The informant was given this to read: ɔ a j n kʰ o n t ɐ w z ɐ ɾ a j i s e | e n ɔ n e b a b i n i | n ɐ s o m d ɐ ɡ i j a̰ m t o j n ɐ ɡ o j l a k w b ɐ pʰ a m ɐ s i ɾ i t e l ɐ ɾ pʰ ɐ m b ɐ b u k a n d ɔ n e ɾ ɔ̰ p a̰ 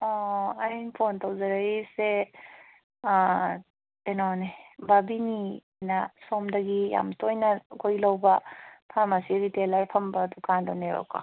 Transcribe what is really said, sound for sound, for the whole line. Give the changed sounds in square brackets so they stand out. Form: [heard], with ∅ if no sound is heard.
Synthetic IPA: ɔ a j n [pʰ] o n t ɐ w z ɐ ɾ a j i s e | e n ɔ n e b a b i n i | n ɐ s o m d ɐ ɡ i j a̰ m t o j n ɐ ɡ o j l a [∅] w b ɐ pʰ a m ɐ s i ɾ i t e l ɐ ɾ pʰ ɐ m b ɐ [d] u k a n d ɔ n e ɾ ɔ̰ [k] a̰